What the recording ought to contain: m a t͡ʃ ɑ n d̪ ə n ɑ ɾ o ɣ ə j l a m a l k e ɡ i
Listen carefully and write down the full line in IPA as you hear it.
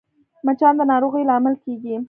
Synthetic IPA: m a t͡ʃ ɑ n d̪ ə n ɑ ɾ o ɣ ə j l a m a l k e ɡ i